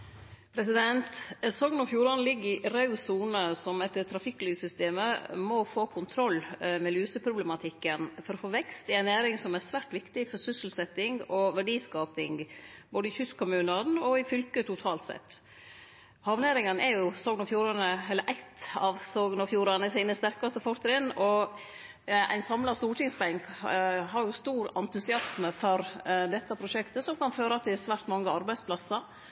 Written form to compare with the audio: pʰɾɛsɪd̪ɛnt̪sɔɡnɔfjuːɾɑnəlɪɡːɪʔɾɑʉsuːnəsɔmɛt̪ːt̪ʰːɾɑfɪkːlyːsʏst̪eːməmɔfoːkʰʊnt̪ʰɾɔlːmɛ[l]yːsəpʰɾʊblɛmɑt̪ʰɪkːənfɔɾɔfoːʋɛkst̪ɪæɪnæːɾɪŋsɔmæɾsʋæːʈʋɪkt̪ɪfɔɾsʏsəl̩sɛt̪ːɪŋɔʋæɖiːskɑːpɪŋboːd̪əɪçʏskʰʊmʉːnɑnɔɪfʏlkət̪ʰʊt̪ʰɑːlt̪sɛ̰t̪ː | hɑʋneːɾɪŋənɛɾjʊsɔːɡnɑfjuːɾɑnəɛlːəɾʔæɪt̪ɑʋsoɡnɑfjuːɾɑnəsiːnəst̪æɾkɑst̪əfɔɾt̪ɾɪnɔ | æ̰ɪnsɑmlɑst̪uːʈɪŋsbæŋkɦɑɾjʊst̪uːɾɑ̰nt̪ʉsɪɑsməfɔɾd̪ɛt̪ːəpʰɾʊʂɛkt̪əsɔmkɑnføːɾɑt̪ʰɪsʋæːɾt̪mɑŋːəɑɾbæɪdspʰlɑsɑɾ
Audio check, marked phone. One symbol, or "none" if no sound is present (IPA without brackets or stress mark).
l